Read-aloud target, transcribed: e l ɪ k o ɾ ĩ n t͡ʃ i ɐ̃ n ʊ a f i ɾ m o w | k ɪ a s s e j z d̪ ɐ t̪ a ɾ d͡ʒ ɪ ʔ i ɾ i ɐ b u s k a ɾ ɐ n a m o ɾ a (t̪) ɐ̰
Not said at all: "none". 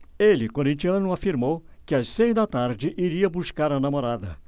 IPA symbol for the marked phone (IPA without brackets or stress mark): d̪